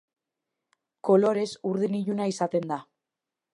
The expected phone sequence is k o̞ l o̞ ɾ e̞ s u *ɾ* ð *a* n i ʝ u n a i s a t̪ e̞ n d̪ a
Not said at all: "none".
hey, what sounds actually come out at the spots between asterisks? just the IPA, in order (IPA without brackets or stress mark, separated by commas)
ɾ, i